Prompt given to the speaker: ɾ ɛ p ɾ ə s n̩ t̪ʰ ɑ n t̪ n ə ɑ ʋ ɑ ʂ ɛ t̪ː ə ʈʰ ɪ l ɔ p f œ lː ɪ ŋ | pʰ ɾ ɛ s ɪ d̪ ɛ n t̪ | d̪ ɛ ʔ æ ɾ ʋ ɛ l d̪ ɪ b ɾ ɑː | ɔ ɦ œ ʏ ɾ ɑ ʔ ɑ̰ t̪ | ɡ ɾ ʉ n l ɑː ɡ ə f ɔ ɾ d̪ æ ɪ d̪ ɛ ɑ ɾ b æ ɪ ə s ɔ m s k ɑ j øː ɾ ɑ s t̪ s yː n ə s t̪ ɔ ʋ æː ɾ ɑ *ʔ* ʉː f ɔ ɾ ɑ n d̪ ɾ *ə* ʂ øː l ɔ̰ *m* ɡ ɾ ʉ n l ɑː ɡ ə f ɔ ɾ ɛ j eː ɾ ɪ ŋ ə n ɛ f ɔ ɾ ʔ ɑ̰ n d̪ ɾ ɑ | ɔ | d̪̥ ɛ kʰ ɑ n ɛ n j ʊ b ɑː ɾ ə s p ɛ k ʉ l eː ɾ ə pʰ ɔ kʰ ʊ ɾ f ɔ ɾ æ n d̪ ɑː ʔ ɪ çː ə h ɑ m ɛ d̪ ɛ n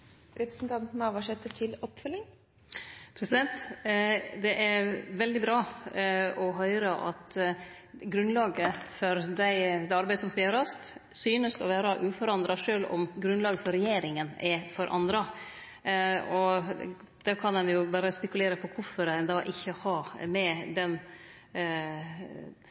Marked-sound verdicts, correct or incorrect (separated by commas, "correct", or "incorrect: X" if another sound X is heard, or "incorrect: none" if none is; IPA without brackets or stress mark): correct, incorrect: ɑ, correct